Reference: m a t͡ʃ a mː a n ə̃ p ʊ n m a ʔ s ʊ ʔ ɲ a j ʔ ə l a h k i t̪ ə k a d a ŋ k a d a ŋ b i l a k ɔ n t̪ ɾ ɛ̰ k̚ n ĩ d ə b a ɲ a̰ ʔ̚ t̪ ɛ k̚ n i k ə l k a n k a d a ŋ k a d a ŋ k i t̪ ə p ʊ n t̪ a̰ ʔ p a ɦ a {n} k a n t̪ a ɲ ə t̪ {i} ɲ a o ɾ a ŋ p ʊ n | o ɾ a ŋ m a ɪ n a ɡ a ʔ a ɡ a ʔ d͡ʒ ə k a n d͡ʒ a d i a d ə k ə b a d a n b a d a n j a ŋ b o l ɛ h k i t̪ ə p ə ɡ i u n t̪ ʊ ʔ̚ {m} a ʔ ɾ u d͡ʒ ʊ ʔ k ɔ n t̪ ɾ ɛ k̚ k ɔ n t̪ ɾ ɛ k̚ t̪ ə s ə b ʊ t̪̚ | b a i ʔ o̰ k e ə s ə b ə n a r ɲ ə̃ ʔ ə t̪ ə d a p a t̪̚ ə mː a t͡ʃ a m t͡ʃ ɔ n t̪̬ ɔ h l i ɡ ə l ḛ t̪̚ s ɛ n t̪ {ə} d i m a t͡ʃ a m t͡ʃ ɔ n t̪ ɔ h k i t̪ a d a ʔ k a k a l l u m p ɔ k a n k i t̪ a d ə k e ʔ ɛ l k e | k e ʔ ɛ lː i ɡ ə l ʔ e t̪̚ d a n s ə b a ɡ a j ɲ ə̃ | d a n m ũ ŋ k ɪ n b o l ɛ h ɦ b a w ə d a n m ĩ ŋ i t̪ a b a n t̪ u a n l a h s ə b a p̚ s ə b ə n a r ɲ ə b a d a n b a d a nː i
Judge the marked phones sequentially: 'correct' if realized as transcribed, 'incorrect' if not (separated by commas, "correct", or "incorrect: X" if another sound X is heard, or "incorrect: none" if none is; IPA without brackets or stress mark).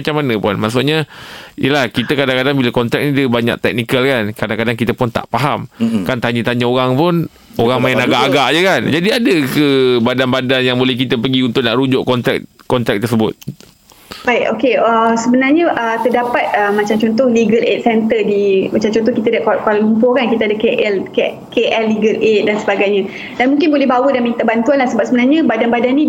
incorrect: m, incorrect: a, incorrect: n, correct